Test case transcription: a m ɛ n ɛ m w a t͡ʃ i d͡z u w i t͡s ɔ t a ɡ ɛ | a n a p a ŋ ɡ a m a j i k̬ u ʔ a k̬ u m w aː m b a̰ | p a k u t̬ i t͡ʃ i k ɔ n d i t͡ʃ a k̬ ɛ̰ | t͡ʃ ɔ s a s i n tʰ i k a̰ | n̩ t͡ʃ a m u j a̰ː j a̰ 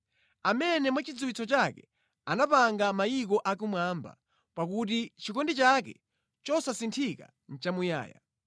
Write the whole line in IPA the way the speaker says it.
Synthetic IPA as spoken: a m ɛ n ɛ m w a t͡ʃ i d͡z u w i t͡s ɔ t͡ʃ a k ɛ | a n a p a ŋ ɡ a m a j i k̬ ɔ ʔ a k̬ u m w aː m b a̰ | p a k u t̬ i t͡ʃ i k ɔ n d i t͡ʃ a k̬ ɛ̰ | t͡ʃ ɔ s a s i n tʰ i k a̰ | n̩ t͡ʃ a m u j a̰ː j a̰